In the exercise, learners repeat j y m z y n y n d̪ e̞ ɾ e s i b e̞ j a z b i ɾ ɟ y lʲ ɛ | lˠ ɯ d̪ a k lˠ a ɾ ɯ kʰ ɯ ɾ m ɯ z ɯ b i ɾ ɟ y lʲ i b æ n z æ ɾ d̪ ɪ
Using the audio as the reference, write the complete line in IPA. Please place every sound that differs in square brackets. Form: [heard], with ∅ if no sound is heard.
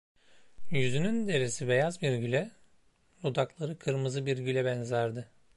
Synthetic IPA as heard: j y [∅] z y n y n d̪ e̞ ɾ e s i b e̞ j a z b i ɾ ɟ y lʲ ɛ | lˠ [u] d̪ a k lˠ a ɾ ɯ kʰ ɯ ɾ m ɯ z ɯ b i ɾ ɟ y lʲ [ɛ] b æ n z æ ɾ d̪ ɪ